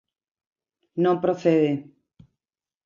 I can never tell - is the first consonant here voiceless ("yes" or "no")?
no